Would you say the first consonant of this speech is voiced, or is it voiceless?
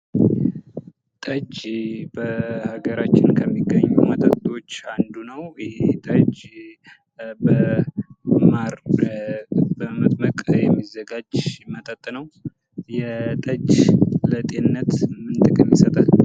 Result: voiceless